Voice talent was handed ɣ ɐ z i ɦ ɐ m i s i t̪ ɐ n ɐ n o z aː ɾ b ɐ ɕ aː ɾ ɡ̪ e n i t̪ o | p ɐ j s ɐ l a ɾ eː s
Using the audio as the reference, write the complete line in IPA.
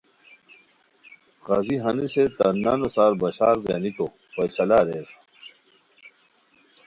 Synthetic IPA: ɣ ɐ z i ɦ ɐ n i s e t̪ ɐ n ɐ n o s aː ɾ b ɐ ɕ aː ɾ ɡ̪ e n i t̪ o | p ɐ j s ɐ l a ɾ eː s